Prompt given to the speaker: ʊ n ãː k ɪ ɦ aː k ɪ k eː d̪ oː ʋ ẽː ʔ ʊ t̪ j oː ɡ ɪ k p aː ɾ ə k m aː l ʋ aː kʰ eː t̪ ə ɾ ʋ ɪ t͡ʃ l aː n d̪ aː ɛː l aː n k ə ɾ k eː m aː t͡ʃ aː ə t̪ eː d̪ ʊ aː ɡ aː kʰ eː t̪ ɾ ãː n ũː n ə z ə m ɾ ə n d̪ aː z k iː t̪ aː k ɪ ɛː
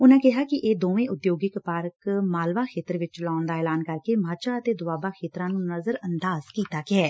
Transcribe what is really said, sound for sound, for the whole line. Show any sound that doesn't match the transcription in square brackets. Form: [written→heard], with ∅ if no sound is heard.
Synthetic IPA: ʊ n ãː k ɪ ɦ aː k ɪ [k→ʔ] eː d̪ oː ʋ ẽː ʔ ʊ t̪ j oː ɡ ɪ k p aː ɾ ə k m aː l ʋ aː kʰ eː t̪ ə ɾ ʋ ɪ t͡ʃ l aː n d̪ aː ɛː l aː n k ə ɾ k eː m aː t͡ʃ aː ə t̪ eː d̪ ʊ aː [ɡ→b] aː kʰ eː t̪ ɾ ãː n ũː n ə z ə [m→∅] ɾ ə n d̪ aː z k iː t̪ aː k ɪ ɛː